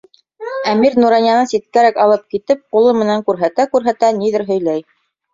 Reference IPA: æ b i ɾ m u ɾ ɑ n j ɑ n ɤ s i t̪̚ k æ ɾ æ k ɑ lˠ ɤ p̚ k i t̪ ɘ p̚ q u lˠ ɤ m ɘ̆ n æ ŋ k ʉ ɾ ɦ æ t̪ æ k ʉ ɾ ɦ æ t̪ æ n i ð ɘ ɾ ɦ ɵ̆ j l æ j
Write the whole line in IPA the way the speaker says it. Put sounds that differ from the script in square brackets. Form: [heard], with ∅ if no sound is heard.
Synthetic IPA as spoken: æ [m] i ɾ [n] u ɾ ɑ n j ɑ n ɤ s i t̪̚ k æ ɾ æ k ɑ lˠ ɤ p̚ k i t̪ ɘ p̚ q u lˠ ɤ m ɘ̆ n æ ŋ k ʉ ɾ ɦ æ t̪ æ k ʉ ɾ ɦ æ t̪ æ n i ð ɘ ɾ ɦ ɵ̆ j l æ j